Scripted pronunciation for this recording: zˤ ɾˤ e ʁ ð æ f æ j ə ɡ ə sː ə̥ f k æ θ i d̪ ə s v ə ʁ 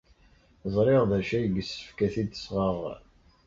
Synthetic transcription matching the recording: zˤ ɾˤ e ʁ ð æ ʃ æ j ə ɡ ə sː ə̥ f k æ θ i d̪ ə s ʁ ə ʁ

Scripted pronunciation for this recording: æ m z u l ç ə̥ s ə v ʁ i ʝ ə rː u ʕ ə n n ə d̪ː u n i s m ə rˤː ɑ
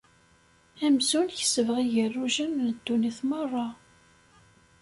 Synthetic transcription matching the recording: æ m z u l ç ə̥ s ə v ʁ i ʝ ə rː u ʒ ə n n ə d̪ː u n i θ m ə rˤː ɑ

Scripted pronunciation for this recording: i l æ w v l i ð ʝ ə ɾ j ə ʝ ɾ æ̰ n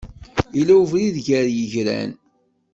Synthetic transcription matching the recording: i l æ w v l i ð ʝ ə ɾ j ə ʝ ɾ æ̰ n

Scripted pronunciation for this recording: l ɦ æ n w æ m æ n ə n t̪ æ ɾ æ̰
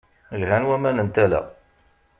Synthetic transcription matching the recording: l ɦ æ n w æ m æ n ə n t̪ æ l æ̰

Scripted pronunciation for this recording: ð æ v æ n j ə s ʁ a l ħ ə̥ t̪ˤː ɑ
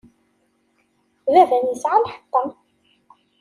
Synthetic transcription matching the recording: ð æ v æ n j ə s ʕ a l ħ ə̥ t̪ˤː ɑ

